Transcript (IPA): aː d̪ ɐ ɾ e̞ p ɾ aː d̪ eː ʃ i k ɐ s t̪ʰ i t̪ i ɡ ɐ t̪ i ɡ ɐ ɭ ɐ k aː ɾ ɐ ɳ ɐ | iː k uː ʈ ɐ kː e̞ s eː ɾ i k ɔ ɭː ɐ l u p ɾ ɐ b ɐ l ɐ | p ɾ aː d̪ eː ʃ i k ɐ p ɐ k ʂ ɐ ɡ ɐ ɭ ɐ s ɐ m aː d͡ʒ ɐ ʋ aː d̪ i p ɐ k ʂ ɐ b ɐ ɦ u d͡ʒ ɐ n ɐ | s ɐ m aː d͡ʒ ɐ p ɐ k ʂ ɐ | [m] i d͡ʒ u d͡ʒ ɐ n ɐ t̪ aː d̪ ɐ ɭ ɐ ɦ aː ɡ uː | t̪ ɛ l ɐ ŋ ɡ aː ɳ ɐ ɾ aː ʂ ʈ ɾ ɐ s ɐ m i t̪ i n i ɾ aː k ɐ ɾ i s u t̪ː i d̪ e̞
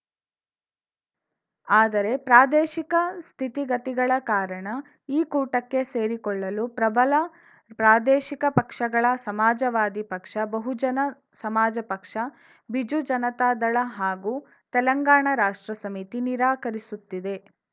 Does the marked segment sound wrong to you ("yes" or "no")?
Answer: yes